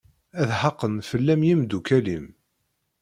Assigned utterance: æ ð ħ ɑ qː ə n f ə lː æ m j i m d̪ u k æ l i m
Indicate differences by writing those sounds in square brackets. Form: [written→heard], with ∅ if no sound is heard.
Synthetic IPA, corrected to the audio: æ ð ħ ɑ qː ə n f ə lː æ m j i m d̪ u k æ l i m